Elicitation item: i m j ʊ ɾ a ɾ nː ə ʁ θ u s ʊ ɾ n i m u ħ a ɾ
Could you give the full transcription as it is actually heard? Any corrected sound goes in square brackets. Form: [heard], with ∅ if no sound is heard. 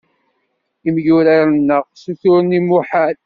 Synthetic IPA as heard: i m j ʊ ɾ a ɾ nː ə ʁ [s] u [θ] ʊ ɾ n i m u ħ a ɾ